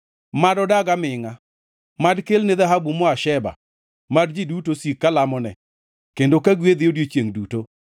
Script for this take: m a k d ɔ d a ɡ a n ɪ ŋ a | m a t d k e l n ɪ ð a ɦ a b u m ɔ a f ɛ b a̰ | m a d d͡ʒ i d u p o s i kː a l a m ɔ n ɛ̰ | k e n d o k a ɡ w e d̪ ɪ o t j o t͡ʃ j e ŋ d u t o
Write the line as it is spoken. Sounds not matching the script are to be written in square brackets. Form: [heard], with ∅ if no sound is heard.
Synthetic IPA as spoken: m a [∅] d ɔ d a ɡ a [m] ɪ ŋ a | m a [∅] d k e l n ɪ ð a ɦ a b u m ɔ a [ʃ] ɛ b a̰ | m a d d͡ʒ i d u [t] o s i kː a l a m ɔ n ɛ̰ | k e n d o k a ɡ w e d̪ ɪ o [d] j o t͡ʃ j e ŋ d u t o